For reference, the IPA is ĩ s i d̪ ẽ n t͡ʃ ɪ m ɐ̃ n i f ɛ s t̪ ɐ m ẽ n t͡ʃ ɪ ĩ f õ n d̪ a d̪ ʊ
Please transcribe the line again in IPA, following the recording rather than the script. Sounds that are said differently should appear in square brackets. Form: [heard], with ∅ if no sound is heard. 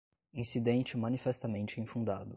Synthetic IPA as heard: ĩ s i d̪ ẽ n t͡ʃ ɪ m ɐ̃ n i f ɛ s t̪ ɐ m ẽ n t͡ʃ ɪ ĩ f [ũ] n d̪ a d̪ ʊ